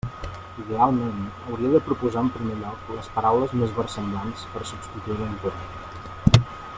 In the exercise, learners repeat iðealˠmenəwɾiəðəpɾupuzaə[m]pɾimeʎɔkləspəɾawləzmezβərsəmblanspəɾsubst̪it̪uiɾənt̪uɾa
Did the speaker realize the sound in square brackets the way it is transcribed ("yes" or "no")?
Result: yes